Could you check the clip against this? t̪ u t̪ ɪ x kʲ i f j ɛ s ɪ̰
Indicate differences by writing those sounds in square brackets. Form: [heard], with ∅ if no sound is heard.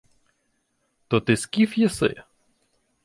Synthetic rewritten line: t̪ [ɔ] t̪ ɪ [s] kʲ i f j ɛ s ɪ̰

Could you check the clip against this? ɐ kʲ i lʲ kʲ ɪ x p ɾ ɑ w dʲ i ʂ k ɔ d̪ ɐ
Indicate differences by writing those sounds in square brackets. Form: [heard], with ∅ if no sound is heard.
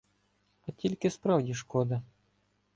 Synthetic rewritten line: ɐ [tʲ] i lʲ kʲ ɪ [s] p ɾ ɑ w dʲ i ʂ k ɔ d̪ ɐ

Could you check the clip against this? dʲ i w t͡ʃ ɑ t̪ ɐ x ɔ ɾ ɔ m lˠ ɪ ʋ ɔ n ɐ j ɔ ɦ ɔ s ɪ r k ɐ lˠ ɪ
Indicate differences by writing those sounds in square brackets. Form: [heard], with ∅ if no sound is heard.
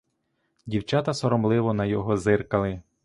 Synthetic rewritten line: dʲ i w t͡ʃ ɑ t̪ ɐ [s] ɔ ɾ ɔ m lˠ ɪ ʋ ɔ n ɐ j ɔ ɦ ɔ [z] ɪ r k ɐ lˠ ɪ

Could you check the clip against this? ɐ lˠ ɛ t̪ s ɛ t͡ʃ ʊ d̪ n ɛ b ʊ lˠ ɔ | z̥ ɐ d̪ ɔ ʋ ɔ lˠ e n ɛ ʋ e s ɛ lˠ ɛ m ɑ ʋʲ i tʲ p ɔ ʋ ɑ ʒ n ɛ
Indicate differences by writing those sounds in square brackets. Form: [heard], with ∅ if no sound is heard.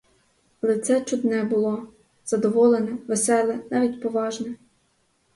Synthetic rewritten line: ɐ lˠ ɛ t̪ s ɛ t͡ʃ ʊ d̪ n ɛ b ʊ lˠ ɔ | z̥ ɐ d̪ ɔ ʋ ɔ lˠ e n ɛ ʋ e s ɛ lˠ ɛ [n] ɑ ʋʲ i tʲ p ɔ ʋ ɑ ʒ n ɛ

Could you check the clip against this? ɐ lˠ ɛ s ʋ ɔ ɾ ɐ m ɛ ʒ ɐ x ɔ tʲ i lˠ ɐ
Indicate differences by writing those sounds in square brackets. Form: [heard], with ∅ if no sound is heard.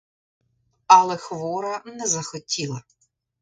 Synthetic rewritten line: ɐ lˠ ɛ [x] ʋ ɔ ɾ ɐ [n] ɛ [z] ɐ x ɔ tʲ i lˠ ɐ

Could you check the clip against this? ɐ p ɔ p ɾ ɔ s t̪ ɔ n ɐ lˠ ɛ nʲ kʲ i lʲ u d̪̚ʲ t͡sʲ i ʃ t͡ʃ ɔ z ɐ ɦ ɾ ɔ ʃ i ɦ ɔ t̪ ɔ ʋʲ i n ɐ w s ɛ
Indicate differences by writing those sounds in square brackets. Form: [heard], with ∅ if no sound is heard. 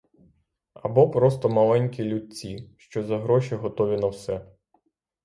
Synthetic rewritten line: ɐ [b] ɔ p ɾ ɔ s t̪ ɔ [m] ɐ lˠ ɛ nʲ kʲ i lʲ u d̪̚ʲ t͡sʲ i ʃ t͡ʃ ɔ z ɐ ɦ ɾ ɔ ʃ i ɦ ɔ t̪ ɔ ʋʲ i n ɐ w s ɛ

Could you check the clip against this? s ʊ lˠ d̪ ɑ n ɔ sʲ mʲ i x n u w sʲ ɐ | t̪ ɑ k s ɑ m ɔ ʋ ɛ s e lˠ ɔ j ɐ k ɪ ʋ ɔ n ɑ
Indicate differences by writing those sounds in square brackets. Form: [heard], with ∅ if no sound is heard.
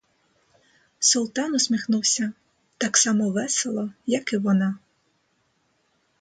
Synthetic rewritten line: s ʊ lˠ [t̪] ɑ n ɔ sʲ mʲ i x n u w sʲ ɐ | t̪ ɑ k s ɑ m ɔ ʋ ɛ s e lˠ ɔ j ɐ k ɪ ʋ ɔ n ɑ

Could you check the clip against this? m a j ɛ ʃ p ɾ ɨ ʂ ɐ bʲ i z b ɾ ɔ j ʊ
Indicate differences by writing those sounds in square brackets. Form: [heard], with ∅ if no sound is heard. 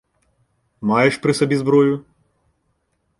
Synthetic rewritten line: m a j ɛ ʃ p ɾ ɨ [s] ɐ bʲ i z b ɾ ɔ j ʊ

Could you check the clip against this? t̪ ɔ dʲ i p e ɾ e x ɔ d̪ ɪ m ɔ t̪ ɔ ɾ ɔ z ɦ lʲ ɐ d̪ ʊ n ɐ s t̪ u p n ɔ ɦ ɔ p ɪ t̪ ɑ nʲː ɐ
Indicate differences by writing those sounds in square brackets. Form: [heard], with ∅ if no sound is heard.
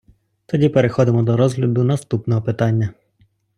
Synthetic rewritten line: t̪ ɔ dʲ i p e ɾ e x ɔ d̪ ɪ m ɔ [d̪] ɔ ɾ ɔ z ɦ lʲ ɐ d̪ ʊ n ɐ s t̪ u p n ɔ ɦ ɔ p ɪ t̪ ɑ nʲː ɐ

